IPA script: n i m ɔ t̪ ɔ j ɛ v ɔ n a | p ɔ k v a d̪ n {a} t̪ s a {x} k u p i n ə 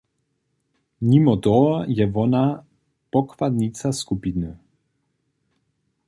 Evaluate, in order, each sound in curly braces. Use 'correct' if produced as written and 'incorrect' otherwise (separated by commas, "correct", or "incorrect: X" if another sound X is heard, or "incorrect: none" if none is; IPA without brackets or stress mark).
incorrect: i, incorrect: s